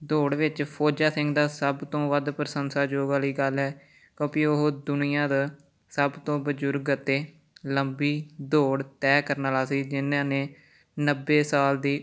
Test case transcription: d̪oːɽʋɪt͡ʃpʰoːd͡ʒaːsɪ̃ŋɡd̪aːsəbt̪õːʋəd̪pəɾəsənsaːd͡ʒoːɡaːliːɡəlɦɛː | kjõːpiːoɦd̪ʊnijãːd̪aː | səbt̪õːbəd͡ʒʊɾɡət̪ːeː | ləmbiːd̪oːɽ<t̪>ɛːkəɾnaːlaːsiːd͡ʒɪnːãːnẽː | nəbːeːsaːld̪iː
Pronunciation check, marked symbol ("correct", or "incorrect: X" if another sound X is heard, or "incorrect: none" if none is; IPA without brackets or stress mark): correct